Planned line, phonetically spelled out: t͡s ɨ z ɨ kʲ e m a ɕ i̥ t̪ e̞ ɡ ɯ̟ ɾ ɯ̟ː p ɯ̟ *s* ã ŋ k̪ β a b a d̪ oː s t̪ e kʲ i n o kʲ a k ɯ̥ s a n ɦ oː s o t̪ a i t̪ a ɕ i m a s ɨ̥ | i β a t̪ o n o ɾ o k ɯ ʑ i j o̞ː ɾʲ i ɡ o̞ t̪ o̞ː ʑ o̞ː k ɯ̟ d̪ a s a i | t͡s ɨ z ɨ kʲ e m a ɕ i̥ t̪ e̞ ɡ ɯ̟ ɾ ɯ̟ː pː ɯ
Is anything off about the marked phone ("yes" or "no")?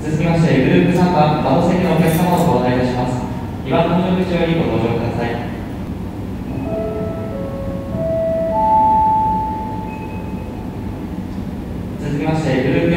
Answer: no